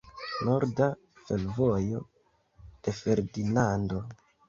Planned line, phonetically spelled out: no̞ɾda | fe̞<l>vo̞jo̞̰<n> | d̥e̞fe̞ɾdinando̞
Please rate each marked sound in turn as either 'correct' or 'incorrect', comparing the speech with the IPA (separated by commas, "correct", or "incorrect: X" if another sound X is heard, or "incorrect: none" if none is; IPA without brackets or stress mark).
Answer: correct, incorrect: none